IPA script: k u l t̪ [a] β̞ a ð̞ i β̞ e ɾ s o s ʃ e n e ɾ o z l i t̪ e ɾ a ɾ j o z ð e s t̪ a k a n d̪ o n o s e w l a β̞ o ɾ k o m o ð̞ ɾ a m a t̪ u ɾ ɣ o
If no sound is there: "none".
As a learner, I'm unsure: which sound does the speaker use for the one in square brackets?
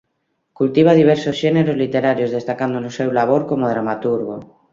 i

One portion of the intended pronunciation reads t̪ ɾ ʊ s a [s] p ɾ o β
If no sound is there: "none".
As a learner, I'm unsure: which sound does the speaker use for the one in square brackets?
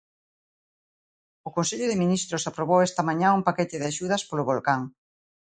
none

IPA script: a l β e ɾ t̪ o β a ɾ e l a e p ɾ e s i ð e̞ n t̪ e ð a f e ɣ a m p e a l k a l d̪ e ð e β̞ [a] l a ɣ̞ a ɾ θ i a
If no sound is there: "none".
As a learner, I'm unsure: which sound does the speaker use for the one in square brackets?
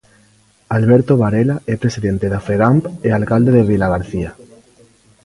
i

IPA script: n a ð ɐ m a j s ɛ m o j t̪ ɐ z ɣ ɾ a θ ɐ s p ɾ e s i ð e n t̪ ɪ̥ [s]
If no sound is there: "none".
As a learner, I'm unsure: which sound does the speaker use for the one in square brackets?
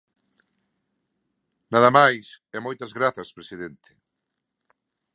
none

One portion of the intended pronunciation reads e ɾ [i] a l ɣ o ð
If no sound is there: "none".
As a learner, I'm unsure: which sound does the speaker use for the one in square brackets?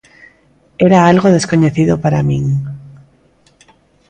a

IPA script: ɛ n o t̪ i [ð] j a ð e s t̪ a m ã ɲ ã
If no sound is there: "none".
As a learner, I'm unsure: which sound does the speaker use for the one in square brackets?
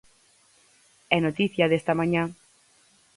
θ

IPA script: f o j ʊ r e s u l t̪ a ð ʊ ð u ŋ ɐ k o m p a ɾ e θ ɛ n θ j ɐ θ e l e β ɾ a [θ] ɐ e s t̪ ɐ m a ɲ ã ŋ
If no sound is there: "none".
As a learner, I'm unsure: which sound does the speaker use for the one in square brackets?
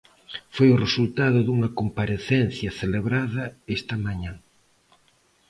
ð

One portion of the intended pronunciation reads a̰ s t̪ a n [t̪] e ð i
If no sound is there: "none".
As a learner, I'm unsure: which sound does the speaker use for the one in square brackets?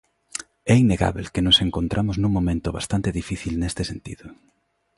t̪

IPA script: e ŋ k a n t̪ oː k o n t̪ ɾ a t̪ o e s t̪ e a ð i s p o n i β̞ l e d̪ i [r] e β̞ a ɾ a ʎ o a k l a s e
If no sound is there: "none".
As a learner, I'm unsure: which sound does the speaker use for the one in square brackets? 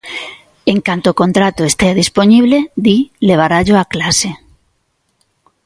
l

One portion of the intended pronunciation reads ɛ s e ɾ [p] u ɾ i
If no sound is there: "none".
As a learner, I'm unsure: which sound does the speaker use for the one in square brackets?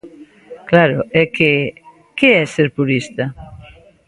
p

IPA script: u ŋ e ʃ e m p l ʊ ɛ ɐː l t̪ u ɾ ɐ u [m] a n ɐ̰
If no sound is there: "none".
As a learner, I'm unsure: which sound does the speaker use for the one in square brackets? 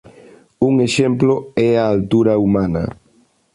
m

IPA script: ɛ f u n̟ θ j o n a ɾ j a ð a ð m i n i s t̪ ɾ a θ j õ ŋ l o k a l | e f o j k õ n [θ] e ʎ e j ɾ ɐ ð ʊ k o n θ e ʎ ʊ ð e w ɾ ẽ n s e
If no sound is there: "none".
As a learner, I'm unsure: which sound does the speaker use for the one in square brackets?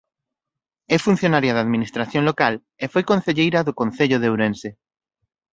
θ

